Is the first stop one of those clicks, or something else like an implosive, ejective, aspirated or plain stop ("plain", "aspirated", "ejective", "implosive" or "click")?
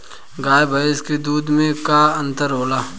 plain